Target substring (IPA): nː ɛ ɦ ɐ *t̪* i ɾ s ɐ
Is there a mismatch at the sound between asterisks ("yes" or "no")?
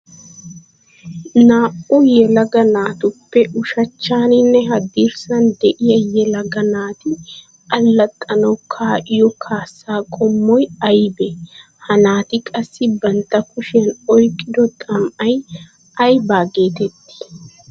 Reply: yes